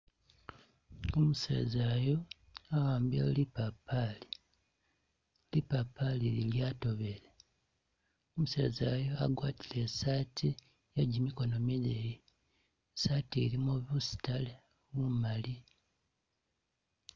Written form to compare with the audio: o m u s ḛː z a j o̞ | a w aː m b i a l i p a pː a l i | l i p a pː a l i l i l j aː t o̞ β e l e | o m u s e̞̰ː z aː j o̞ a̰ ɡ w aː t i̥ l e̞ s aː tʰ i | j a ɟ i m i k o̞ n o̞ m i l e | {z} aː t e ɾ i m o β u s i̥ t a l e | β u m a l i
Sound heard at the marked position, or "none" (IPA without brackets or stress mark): s